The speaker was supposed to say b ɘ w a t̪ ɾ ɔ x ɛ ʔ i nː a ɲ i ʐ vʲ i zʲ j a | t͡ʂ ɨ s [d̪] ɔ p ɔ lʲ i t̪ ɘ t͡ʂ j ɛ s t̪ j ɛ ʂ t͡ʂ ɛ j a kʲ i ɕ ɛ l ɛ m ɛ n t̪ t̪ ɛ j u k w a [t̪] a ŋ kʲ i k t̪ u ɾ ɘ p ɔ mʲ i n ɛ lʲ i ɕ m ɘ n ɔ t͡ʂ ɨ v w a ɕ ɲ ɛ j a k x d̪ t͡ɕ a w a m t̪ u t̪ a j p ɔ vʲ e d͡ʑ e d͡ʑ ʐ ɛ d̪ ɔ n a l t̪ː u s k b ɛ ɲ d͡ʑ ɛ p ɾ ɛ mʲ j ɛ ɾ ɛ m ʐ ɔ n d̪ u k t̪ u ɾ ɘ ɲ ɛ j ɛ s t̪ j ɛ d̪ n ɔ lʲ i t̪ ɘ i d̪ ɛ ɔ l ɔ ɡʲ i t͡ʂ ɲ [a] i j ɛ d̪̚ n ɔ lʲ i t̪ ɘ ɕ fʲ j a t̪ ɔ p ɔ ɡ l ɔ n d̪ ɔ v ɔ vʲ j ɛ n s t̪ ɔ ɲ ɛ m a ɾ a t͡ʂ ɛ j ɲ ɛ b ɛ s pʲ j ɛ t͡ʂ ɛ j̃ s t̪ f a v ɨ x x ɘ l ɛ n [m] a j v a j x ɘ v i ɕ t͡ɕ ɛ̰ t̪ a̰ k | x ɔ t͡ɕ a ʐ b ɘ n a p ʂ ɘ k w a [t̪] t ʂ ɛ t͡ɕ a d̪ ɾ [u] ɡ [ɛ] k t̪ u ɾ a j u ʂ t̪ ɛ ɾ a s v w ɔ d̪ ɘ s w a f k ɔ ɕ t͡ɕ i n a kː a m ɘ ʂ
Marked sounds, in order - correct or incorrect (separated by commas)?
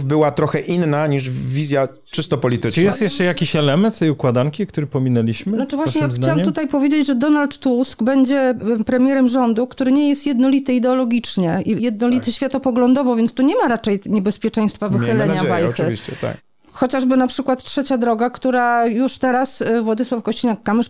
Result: incorrect, incorrect, incorrect, incorrect, correct, incorrect, incorrect